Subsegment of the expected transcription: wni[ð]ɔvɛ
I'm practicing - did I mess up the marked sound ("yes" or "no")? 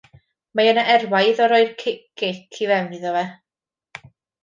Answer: no